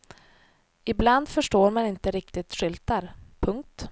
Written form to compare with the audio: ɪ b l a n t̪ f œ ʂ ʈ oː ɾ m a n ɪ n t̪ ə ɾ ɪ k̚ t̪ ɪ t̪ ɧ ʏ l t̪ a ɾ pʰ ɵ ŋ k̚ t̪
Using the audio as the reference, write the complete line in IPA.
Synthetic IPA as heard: ɪ b l a n d̪ f œ ʂ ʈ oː ɾ m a n ɪ n t̪ ə ɾ ɪ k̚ t̪ ɪ t̪ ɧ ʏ l t̪ a ɾ pʰ ɵ ŋ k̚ t̪